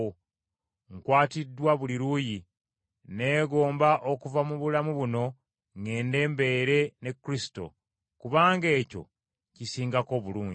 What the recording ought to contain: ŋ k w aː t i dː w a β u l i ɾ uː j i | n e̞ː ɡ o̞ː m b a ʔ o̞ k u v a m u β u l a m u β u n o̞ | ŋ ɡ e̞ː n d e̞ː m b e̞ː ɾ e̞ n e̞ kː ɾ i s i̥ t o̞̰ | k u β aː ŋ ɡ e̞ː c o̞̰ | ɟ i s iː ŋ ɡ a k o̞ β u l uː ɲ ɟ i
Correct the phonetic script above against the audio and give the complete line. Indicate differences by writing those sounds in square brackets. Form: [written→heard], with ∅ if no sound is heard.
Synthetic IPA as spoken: ŋ k w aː t i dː w a β u l i ɾ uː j i | n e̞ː ɡ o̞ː m b a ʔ o̞ k u v a m u β u l a m u β u n o̞ | ŋ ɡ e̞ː n d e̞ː m b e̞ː ɾ e̞ n e̞ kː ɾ i s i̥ t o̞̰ | k u β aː ŋ ɡ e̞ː c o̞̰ | [ɟ→c] i s iː ŋ ɡ a k o̞ β u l uː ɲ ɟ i

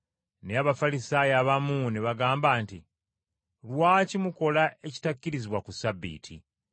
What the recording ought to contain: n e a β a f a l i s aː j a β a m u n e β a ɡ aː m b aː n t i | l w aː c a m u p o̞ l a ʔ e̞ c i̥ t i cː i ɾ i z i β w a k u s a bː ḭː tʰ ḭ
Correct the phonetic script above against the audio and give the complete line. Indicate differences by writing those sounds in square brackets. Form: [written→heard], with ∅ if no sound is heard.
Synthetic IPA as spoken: n e a β a f a l i s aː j a β a m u n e β a ɡ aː m b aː n t i | l w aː c [a→i] m u [p→k] o̞ l a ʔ e̞ c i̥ t [i→a] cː i ɾ i z i β w a k u s a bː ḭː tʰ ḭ

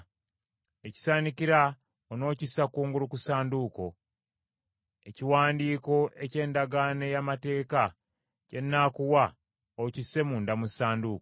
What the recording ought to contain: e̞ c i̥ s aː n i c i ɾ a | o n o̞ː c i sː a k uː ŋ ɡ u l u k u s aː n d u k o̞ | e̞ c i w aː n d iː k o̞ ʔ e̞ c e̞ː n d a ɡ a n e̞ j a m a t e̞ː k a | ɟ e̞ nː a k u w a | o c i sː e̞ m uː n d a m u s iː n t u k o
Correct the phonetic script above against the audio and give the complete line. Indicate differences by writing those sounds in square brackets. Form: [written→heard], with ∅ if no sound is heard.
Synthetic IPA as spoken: e̞ c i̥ s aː n i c i ɾ a | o n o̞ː c i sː a k uː ŋ ɡ u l u k u s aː n d u k o̞ | e̞ c i w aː n d iː k o̞ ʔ e̞ c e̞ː n d a ɡ a n e̞ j a m a t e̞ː k a | [ɟ→c] e̞ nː a k u w a | o c i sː e̞ m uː n d a m u s [iː→aː] n [t→d] u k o

